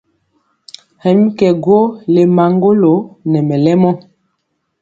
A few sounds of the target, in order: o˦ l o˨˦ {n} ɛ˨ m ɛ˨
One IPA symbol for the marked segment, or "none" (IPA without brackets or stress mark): n